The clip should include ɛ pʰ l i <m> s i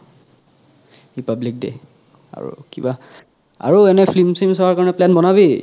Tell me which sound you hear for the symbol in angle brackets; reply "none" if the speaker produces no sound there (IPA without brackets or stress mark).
m